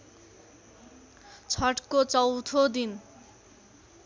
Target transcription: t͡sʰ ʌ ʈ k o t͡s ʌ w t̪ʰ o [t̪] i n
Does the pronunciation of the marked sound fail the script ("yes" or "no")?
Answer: yes